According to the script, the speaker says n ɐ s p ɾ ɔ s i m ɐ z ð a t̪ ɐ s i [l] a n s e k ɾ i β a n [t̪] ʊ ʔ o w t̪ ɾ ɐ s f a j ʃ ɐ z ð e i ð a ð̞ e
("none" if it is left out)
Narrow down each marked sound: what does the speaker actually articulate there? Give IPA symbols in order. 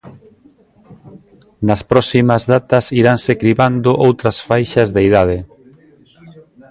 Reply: ɾ, d̪

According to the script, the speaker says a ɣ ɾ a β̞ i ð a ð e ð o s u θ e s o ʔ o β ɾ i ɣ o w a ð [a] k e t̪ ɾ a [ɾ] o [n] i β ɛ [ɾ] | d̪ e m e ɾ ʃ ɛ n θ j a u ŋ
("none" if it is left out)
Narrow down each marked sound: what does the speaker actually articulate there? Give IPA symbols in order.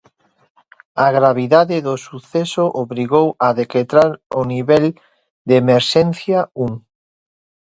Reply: e, ɾ, n, l

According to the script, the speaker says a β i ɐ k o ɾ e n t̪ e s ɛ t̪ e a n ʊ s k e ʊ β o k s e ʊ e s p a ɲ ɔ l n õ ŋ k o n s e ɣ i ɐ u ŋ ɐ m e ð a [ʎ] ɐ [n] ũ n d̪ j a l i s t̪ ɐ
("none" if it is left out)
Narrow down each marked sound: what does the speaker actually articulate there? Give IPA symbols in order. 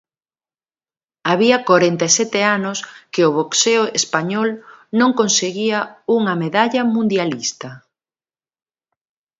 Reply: ʎ, m

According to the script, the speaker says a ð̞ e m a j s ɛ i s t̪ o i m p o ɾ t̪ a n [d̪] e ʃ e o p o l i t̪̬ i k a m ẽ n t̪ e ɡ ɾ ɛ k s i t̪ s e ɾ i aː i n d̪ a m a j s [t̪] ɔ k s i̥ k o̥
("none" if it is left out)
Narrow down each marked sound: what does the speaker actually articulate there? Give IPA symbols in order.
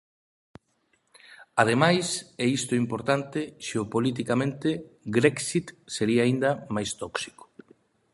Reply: t̪, t̪

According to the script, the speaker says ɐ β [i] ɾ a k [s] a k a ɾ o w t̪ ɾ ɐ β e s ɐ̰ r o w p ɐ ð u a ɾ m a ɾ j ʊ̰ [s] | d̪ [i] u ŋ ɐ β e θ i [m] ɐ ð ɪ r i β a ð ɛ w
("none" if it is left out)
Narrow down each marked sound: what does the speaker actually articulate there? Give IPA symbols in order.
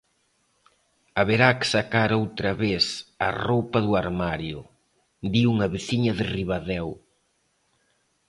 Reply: e, s, none, i, ɲ

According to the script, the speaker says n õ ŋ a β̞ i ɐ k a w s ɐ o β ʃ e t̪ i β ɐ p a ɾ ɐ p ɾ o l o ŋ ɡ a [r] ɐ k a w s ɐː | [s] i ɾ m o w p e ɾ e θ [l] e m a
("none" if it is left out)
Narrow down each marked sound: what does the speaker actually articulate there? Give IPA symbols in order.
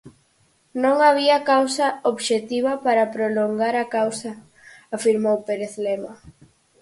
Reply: ɾ, f, l

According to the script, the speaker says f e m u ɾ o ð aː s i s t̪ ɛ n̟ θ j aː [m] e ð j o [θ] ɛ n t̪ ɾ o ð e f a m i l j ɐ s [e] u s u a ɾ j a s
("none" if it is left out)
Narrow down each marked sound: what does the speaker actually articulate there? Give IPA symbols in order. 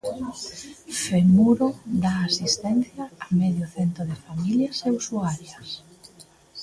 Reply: m, θ, e

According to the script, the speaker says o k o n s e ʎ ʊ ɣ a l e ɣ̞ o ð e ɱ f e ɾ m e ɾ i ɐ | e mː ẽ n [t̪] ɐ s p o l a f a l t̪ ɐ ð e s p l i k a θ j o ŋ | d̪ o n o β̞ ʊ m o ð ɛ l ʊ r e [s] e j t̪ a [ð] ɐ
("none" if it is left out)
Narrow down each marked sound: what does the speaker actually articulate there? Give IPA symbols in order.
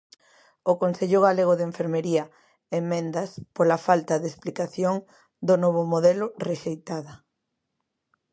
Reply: d̪, ʃ, ð

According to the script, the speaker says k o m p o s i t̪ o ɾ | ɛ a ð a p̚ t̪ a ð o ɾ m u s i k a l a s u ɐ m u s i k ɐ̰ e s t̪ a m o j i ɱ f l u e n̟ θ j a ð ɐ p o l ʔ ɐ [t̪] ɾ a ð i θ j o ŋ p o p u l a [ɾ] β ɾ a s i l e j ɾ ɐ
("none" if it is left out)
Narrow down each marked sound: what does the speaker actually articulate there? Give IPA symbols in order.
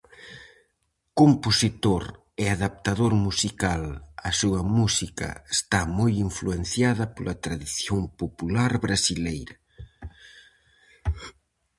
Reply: t̪, ɾ

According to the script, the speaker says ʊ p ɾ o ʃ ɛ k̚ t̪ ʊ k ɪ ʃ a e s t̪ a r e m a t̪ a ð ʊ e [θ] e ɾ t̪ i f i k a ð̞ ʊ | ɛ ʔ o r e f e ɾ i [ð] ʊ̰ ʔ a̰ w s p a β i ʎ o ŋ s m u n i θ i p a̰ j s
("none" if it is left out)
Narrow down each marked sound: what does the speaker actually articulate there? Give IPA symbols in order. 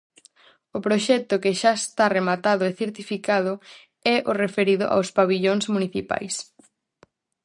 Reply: θ, ð

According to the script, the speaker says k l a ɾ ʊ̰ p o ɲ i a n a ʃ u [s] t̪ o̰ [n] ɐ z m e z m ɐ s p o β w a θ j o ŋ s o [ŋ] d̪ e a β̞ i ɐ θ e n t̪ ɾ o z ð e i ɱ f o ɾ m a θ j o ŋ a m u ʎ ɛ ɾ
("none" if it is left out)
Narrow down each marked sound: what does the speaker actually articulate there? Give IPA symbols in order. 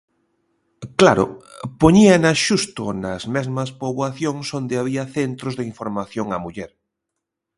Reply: s, n, n

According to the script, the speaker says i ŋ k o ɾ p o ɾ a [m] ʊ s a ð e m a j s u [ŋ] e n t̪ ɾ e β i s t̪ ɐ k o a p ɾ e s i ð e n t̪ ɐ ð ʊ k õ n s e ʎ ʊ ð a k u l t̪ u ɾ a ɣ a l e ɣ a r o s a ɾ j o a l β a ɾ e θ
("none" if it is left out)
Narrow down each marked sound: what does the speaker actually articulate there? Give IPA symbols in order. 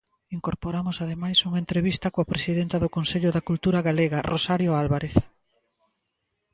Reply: m, ŋ

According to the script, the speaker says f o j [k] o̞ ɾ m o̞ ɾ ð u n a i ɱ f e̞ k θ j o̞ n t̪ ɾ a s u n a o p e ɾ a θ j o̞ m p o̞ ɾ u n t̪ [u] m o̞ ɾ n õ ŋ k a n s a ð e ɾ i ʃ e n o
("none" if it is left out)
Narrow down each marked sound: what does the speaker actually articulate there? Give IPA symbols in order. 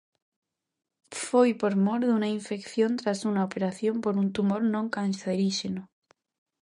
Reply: p, u

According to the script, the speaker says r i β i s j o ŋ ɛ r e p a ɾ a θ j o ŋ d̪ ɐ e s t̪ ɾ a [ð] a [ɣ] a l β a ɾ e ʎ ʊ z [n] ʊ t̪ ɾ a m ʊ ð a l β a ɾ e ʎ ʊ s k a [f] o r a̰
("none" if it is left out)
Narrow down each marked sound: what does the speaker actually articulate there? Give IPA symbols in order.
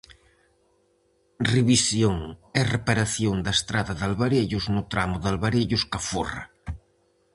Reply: ð, ð, n, f

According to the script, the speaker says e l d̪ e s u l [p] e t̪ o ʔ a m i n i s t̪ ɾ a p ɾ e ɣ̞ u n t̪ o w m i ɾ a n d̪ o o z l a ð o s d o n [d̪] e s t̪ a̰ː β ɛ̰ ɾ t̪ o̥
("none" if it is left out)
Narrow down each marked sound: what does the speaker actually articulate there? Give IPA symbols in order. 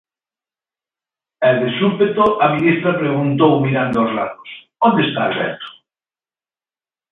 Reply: p, d̪

